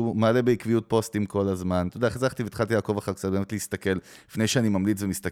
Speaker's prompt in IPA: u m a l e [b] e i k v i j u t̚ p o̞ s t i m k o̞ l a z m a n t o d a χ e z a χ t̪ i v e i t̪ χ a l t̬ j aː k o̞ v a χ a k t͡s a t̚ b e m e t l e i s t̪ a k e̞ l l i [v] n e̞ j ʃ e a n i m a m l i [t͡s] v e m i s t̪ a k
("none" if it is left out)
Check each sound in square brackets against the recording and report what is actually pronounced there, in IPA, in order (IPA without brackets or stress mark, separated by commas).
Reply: b, f, t͡s